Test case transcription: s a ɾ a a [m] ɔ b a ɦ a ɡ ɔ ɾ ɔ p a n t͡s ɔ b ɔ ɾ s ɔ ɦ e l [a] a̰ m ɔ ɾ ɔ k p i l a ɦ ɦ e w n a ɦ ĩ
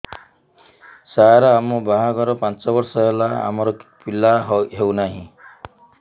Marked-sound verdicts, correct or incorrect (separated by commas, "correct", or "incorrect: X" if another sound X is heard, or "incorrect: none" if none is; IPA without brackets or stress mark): correct, correct